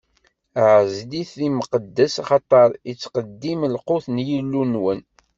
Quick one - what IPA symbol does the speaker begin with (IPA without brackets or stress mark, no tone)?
ʕ